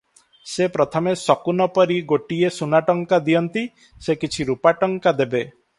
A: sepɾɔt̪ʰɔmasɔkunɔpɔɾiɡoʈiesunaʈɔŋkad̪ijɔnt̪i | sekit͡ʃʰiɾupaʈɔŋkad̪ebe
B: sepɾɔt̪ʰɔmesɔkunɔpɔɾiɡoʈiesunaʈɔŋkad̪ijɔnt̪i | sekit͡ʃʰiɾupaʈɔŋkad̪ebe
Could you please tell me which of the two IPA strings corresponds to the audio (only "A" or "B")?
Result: B